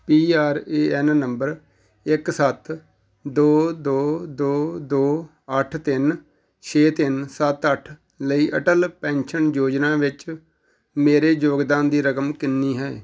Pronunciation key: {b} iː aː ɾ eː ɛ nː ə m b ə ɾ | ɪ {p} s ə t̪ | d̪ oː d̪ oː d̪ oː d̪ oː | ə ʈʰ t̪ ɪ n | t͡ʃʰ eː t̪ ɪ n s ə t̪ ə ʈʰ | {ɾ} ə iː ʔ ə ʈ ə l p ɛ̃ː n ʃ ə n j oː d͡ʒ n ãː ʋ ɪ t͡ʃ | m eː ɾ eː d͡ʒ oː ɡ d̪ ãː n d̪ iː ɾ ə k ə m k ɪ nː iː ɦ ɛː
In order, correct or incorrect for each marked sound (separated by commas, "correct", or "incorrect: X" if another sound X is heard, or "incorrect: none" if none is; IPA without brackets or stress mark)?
incorrect: p, incorrect: k, incorrect: l